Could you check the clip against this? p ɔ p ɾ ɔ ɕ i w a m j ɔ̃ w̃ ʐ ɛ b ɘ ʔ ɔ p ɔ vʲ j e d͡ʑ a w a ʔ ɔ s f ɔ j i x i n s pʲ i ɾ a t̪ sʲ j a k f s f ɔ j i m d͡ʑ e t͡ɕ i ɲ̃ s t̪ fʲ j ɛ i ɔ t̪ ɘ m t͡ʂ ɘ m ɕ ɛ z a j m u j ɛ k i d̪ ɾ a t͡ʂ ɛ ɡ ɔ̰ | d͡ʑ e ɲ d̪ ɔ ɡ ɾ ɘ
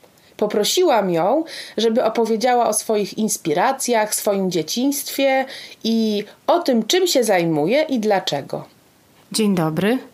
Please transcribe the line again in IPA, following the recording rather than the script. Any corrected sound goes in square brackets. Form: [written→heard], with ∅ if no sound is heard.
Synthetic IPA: p ɔ p ɾ ɔ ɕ i w a m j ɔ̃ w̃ ʐ ɛ b ɘ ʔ ɔ p ɔ vʲ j e d͡ʑ a w a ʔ ɔ s f ɔ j i x i n s pʲ i ɾ a t̪ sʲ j a [k→x] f s f ɔ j i m d͡ʑ e t͡ɕ i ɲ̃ s t̪ fʲ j ɛ i ɔ t̪ ɘ m t͡ʂ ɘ m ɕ ɛ z a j m u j ɛ [k→ʔ] i d̪ [ɾ→l] a t͡ʂ ɛ ɡ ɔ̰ | d͡ʑ e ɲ d̪ ɔ [ɡ→b] ɾ ɘ